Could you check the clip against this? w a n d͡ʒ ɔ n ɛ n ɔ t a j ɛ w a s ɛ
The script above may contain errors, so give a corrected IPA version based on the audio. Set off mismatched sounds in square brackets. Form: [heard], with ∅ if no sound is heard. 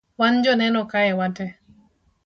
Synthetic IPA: w a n d͡ʒ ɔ n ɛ n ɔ [k] a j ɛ w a [t] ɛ